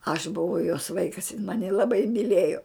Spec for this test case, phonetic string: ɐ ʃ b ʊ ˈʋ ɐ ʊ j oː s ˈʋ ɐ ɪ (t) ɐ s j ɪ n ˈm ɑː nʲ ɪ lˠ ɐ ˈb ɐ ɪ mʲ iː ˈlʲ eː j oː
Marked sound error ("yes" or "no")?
yes